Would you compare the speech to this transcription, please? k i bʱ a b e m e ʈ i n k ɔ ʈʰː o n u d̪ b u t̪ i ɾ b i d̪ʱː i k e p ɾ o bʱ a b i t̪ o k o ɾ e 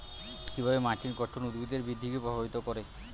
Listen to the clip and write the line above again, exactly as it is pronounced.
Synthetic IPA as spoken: k i bʱ a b e m a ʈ i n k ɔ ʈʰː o n u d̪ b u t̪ e ɾ b i d̪ʱː i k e p ɾ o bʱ a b i t̪ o k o ɾ e